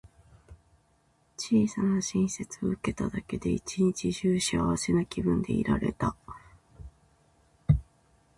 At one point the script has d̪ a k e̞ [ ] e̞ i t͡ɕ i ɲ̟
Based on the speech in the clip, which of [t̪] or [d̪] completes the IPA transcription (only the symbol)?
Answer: d̪